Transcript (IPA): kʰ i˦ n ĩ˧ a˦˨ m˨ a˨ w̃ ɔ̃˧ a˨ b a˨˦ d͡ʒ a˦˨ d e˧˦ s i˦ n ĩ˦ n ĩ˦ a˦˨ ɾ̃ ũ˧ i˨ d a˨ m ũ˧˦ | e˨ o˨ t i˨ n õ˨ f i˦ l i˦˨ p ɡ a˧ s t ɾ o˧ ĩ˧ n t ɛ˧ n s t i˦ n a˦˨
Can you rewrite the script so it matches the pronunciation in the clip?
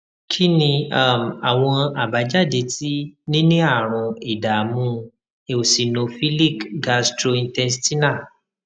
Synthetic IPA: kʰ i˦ n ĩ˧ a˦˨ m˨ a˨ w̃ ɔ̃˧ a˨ b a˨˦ d͡ʒ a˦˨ d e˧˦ t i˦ n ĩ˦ n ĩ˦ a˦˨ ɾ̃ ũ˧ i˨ d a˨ m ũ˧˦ | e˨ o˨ s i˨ n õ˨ f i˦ l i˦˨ k ɡ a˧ s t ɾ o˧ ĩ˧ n t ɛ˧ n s t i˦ n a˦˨